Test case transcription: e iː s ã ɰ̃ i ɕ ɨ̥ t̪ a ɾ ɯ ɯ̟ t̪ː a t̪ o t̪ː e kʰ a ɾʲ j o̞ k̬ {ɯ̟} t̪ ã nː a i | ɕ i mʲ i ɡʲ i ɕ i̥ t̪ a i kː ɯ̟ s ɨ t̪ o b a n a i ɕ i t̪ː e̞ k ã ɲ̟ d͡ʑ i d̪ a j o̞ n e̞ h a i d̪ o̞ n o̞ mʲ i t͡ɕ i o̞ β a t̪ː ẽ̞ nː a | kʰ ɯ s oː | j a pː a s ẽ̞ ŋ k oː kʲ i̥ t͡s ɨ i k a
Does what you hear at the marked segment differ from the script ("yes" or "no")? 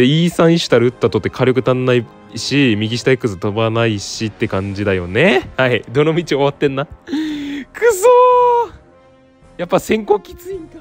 no